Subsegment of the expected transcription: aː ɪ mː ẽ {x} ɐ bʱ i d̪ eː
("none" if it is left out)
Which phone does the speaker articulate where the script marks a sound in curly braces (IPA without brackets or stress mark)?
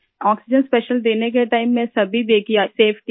s